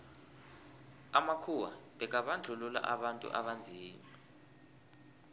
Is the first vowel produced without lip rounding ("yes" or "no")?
yes